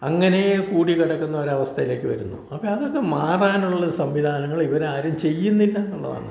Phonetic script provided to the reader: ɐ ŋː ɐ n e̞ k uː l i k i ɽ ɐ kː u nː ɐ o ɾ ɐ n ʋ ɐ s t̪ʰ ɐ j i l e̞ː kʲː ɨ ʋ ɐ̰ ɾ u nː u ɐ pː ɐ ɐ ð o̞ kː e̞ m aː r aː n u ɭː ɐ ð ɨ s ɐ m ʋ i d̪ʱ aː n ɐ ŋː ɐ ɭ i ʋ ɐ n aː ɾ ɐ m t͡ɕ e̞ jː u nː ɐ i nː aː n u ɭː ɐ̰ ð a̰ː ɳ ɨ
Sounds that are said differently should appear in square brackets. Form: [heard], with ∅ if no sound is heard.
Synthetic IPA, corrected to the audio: ɐ ŋː ɐ n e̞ k uː [ɽ] i k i ɽ ɐ kː u nː ɐ o ɾ ɐ [∅] ʋ ɐ s t̪ʰ ɐ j i l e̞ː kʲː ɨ ʋ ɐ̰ ɾ u nː u ɐ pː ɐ ɐ ð o̞ kː e̞ m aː r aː n u ɭː ɐ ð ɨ s ɐ m ʋ i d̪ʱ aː n ɐ ŋː ɐ ɭ i ʋ ɐ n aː ɾ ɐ m t͡ɕ e̞ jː u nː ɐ i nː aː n u ɭː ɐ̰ ð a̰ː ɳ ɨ